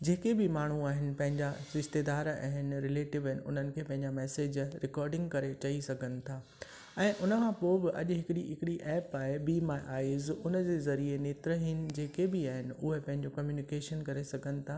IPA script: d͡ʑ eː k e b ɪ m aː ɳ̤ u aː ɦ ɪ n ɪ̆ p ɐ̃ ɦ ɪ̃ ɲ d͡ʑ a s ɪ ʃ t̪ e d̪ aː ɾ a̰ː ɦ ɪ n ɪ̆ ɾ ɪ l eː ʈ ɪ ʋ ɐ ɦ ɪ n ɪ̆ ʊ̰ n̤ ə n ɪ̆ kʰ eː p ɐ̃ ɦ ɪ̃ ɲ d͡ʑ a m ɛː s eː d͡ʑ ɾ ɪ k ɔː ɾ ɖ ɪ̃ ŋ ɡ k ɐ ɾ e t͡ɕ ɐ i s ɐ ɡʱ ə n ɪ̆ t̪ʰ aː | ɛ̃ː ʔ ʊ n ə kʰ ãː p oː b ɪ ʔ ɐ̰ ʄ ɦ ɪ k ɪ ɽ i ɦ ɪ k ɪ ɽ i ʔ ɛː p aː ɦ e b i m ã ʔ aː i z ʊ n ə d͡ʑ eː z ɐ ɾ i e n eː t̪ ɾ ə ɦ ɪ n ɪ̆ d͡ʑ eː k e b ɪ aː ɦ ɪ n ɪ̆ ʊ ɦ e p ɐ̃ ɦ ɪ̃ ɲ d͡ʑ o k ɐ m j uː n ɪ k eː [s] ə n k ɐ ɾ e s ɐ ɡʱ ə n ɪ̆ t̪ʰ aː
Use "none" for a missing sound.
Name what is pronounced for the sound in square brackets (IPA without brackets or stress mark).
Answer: ʃ